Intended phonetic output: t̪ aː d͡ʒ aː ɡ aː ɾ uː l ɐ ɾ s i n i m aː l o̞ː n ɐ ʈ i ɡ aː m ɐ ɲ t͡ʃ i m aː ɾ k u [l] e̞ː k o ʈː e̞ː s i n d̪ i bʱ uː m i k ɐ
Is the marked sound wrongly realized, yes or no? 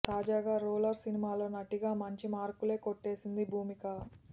no